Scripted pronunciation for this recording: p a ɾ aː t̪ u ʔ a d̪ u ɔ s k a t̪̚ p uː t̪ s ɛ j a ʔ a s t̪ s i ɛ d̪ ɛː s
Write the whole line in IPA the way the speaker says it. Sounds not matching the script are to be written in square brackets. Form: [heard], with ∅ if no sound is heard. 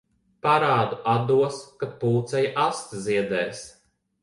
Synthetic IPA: p a ɾ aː [d̪] u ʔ a d̪ u ɔ s k a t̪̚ p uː t̪ s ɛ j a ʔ a s t̪ [z] i ɛ d̪ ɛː s

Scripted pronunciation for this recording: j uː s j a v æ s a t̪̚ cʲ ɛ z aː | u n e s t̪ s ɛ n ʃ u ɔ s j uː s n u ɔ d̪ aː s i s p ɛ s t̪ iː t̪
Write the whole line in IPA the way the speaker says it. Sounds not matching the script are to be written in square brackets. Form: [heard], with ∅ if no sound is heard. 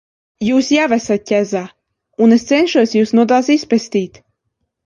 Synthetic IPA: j uː s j a v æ s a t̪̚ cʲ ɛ z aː | u n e s t̪ s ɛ n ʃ u ɔ s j uː s n u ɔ d̪ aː s i s p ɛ s t̪ iː t̪

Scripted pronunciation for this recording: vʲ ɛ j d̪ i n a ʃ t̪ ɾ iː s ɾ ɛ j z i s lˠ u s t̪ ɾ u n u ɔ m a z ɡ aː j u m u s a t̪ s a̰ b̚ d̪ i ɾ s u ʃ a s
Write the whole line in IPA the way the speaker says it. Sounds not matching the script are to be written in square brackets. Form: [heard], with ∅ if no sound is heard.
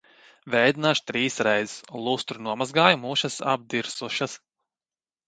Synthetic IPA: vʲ ɛ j d̪ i n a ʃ t̪ ɾ iː s ɾ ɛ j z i s lˠ u s t̪ ɾ u n u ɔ m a z ɡ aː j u m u [ʃ] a [∅] s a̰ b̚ d̪ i ɾ s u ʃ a s

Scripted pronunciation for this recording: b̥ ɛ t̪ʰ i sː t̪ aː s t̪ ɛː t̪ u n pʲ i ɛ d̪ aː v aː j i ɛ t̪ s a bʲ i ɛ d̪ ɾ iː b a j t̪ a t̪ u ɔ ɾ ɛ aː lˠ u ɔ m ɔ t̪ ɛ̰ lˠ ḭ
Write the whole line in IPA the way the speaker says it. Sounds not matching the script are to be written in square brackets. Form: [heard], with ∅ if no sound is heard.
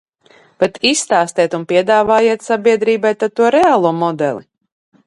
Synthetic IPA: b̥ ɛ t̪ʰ i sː t̪ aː s t̪ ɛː t̪ u n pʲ i ɛ d̪ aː v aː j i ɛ t̪ s a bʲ i ɛ d̪ ɾ iː b a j t̪ a t̪ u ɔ ɾ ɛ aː lˠ u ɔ m ɔ [d̪] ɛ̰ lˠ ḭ

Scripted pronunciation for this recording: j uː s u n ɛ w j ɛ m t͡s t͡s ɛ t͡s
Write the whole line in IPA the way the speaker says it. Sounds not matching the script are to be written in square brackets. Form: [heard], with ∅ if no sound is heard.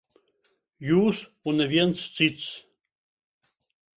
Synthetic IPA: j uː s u n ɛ [v] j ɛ [n] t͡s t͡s [i] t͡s

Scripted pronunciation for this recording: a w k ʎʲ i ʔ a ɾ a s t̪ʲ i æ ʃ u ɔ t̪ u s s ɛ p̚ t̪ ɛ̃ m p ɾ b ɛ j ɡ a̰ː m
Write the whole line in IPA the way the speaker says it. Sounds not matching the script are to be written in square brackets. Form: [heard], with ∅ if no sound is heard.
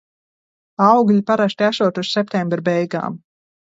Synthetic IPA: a w [ɡ] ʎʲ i [p] a ɾ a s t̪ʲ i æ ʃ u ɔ t̪ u s s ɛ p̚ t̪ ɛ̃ m [b] ɾ b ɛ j ɡ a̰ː m

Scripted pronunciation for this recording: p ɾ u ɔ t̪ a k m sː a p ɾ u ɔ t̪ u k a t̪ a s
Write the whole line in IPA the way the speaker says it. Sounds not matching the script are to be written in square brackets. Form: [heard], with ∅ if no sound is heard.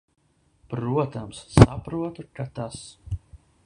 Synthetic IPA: p ɾ u ɔ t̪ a [∅] m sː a p ɾ u ɔ t̪ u k a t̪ a s

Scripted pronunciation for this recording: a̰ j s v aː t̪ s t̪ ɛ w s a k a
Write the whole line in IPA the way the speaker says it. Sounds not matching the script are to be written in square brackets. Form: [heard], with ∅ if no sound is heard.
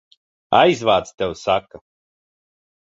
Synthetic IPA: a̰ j [z] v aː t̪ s t̪ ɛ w s a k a

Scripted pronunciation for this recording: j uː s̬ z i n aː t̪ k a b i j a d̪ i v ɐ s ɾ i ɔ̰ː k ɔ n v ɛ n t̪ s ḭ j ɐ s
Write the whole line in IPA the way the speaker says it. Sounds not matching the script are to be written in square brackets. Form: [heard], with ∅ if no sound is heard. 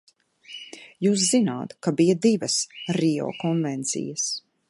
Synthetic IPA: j uː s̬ z i n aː t̪ k a b i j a d̪ i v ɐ s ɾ i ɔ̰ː k ɔ n v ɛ n t̪ s ḭ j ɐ s

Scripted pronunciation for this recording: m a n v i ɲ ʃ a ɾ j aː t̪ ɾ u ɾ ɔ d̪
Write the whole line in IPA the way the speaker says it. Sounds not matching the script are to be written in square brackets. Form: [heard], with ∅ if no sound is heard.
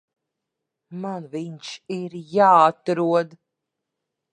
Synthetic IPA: m a n v i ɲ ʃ [i] ɾ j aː t̪ ɾ u [∅] ɔ d̪

